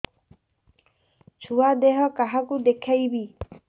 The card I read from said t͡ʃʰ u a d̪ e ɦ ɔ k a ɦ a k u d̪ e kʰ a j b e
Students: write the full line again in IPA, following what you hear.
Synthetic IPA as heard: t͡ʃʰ u a d̪ e ɦ ɔ k a ɦ a k u d̪ e kʰ a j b i